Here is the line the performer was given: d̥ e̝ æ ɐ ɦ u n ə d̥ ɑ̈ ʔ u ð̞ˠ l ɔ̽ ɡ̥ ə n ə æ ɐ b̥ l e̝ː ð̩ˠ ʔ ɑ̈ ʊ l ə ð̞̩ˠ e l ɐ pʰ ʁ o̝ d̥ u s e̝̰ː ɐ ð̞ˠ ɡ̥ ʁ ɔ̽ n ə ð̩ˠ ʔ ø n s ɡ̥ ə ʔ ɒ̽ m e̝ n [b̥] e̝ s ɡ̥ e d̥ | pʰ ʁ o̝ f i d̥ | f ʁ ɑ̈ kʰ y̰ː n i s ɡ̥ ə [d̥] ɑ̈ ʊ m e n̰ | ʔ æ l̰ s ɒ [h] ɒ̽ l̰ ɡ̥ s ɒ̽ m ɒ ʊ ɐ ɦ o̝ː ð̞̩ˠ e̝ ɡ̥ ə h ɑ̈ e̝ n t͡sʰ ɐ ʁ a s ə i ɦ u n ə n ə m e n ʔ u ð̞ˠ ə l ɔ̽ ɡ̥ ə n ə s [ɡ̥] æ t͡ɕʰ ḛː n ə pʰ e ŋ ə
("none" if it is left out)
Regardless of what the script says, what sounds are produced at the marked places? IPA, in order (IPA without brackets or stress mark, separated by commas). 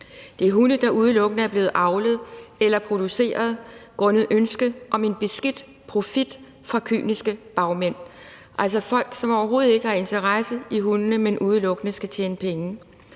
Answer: b̥, b̥, f, ɡ̥